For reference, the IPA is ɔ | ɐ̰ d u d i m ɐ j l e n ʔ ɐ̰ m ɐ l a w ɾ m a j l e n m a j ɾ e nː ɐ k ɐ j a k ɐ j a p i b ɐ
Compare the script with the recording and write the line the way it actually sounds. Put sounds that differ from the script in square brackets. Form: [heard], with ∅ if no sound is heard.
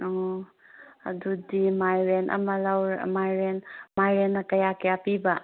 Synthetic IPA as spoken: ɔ | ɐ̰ d u d i m [a] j [ɾ] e n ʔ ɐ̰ m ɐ l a w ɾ m a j [ɾ] e n m a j ɾ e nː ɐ k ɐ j a k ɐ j a p i b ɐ